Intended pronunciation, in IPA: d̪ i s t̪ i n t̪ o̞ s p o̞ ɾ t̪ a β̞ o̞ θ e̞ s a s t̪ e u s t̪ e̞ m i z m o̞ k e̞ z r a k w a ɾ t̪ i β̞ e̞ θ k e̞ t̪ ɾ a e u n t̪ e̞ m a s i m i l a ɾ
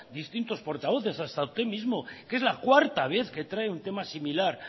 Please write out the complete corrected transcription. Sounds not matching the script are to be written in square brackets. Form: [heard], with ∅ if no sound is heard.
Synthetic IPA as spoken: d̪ i s t̪ i n t̪ o̞ s p o̞ ɾ t̪ a β̞ o̞ θ e̞ s a s t̪ [a] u s t̪ e̞ m i z m o̞ k e̞ z [l] a k w a ɾ t̪ [a] β̞ e̞ θ k e̞ t̪ ɾ a e u n t̪ e̞ m a s i m i l a ɾ

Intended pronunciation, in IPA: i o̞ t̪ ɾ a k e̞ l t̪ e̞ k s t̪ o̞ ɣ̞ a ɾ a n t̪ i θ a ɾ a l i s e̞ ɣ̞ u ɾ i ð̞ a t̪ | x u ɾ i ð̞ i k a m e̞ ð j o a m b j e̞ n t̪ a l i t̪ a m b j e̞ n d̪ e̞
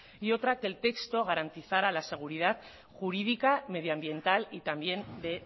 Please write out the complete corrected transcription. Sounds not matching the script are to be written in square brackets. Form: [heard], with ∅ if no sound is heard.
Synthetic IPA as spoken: i o̞ t̪ ɾ a k e̞ l t̪ e̞ k s t̪ o̞ ɣ̞ a ɾ a n t̪ i θ a ɾ a l [a] s e̞ ɣ̞ u ɾ i ð̞ a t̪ | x u ɾ i ð̞ i k a m e̞ ð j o a m b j e̞ n t̪ a l i t̪ a m b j e̞ n d̪ e̞

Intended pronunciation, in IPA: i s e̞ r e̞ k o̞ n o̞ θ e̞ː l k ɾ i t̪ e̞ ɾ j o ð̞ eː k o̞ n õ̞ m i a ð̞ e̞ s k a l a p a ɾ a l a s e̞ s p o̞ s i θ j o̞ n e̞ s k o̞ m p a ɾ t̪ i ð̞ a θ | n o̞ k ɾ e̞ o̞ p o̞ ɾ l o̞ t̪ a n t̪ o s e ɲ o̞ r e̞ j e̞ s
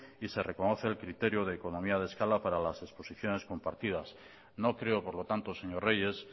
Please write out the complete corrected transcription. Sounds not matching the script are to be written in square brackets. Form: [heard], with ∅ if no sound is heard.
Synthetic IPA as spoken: i s e̞ r e̞ k o̞ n o̞ θ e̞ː l k ɾ i t̪ e̞ ɾ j o ð̞ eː k o̞ n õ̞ m i a ð̞ e̞ s k a l a p a ɾ a l a s e̞ s p o̞ s i θ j o̞ n e̞ s k o̞ m p a ɾ t̪ i ð̞ a [s] | n o̞ k ɾ e̞ o̞ p o̞ ɾ l o̞ t̪ a n t̪ o s e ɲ o̞ r e̞ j e̞ s

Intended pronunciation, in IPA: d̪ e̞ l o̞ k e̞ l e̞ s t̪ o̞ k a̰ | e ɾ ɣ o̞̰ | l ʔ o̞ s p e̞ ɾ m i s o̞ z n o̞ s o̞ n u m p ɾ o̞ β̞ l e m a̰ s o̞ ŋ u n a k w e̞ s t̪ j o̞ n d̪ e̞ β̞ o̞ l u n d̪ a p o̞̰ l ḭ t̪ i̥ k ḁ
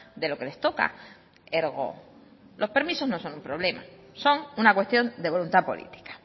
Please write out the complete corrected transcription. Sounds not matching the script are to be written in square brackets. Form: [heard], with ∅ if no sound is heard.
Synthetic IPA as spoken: d̪ e̞ l o̞ k e̞ l e̞ s t̪ o̞ k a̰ | e ɾ ɣ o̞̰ | l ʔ o̞ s p e̞ ɾ m i s o̞ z n o̞ s o̞ n u m p ɾ o̞ β̞ l e m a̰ s o̞ ŋ u n a k w e̞ s t̪ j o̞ n d̪ e̞ β̞ o̞ l u n [t̪] a p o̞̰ l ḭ t̪ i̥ k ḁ

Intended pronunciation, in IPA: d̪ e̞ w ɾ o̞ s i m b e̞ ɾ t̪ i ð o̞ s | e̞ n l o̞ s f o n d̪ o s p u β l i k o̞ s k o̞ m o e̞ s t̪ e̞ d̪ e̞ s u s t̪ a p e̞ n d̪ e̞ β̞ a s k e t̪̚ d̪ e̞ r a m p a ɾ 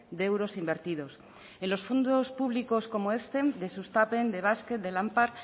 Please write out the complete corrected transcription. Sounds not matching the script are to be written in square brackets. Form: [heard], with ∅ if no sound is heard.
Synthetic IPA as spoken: d̪ e̞ w ɾ o̞ s i m b e̞ ɾ t̪ i ð o̞ s | e̞ n l o̞ s f o n d̪ o s p u β l i k o̞ s k o̞ m o e̞ s t̪ e̞ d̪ e̞ s u s t̪ a p e̞ n d̪ e̞ β̞ a s k e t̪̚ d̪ e̞ [l] a m p a ɾ

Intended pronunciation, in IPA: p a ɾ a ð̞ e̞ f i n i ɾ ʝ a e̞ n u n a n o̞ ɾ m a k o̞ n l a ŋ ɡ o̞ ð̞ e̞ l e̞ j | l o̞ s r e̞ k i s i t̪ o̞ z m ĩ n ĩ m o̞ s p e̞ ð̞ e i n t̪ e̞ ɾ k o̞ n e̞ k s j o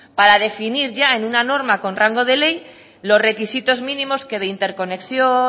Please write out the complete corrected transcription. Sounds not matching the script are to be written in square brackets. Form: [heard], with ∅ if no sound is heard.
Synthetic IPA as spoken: p a ɾ a ð̞ e̞ f i n i ɾ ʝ a e̞ n u n a n o̞ ɾ m a k o̞ n [r] a ŋ ɡ o̞ ð̞ e̞ l e̞ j | l o̞ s r e̞ k i s i t̪ o̞ z m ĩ n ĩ m o̞ s [k] e̞ ð̞ e i n t̪ e̞ ɾ k o̞ n e̞ k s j o

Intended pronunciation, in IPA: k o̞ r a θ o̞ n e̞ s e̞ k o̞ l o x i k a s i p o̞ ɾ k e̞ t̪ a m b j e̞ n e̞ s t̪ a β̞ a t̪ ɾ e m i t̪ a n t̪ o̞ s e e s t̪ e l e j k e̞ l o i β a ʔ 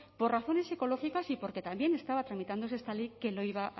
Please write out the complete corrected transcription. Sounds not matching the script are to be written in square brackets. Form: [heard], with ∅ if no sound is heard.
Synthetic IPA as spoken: [p] o̞ r a θ o̞ n e̞ s e̞ k o̞ l o x i k a s i p o̞ ɾ k e̞ t̪ a m b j e̞ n e̞ s t̪ a β̞ a t̪ ɾ [a] m i t̪ a n [d̪] o̞ s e e s t̪ [a] l e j k e̞ l o i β a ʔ

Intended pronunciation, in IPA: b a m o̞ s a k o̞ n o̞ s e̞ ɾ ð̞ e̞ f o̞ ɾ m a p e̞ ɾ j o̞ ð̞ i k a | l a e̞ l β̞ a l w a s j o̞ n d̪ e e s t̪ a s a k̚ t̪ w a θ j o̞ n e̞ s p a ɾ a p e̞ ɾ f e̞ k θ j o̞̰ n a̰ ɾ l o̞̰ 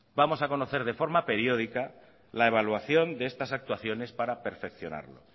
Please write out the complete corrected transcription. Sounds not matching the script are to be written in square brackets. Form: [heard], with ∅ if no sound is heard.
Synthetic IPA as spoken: b a m o̞ s a k o̞ n o̞ [θ] e̞ ɾ ð̞ e̞ f o̞ ɾ m a p e̞ ɾ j o̞ ð̞ i k a | l a e̞ [∅] β̞ a l w a [θ] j o̞ n d̪ e e s t̪ a s a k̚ t̪ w a θ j o̞ n e̞ s p a ɾ a p e̞ ɾ f e̞ k θ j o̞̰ n a̰ ɾ l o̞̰

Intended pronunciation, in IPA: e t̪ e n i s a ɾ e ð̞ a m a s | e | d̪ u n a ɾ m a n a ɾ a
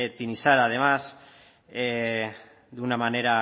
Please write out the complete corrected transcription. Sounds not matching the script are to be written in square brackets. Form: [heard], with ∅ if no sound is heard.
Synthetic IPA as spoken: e t̪ [i] n i s a ɾ [a] ð̞ [e] m a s | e | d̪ u n a [∅] m a n [e] ɾ a

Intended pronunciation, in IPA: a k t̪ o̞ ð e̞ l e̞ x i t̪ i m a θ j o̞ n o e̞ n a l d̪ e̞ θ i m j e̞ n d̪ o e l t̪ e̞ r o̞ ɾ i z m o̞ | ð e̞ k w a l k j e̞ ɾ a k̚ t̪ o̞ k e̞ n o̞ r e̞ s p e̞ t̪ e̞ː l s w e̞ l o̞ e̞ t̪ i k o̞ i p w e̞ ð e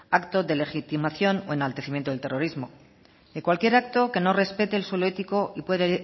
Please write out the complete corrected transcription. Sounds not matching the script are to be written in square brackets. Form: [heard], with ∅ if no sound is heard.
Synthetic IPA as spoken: a k t̪ o̞ ð e̞ l e̞ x i t̪ i m a θ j o̞ n o e̞ n a l [t̪] e̞ θ i m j e̞ n [t̪] o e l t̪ e̞ r o̞ ɾ i z m o̞ | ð e̞ k w a l k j e̞ ɾ a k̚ t̪ o̞ k e̞ n o̞ r e̞ s p e̞ t̪ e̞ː l s w e̞ l o̞ e̞ t̪ i k o̞ i p w e̞ ð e

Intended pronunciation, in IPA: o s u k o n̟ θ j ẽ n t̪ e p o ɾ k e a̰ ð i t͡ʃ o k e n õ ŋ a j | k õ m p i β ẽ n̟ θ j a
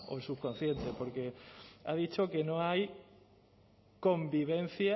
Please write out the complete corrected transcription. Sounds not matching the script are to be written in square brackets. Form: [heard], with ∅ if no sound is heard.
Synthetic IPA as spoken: o s u k o n̟ θ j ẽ n t̪ e p o ɾ k e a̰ ð i t͡ʃ o k e n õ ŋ a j | k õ m [b] i β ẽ n̟ θ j a

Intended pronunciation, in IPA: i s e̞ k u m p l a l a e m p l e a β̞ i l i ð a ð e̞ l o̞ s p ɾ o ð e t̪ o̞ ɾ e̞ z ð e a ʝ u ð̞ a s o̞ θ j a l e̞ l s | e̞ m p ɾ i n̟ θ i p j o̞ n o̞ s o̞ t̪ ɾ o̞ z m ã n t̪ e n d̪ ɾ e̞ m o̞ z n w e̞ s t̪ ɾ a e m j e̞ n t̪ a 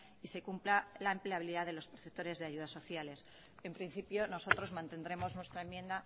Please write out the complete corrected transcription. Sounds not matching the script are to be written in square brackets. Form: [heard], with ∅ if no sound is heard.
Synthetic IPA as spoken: i s e̞ k u m p l a l a e m p l e a β̞ i l i ð a ð e̞ l o̞ s p ɾ o [θ] e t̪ o̞ ɾ e̞ z ð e a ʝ u ð̞ a s o̞ θ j a l e̞ [∅] s | e̞ m p ɾ i n̟ θ i p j o̞ n o̞ s o̞ t̪ ɾ o̞ z m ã n t̪ e n d̪ ɾ e̞ m o̞ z n w e̞ s t̪ ɾ a e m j e̞ n [d̪] a

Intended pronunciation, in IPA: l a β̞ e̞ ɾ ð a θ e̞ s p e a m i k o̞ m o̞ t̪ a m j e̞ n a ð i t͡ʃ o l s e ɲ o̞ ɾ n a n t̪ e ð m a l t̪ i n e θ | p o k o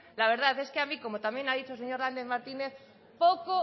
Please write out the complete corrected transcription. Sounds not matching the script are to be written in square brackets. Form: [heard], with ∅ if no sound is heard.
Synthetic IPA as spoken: l a β̞ e̞ ɾ ð a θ e̞ s [k] e a m i k o̞ m o̞ t̪ a m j e̞ n a ð i t͡ʃ o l s e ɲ o̞ ɾ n a n [d̪] e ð m a [ɾ] t̪ i n e θ | p o k o

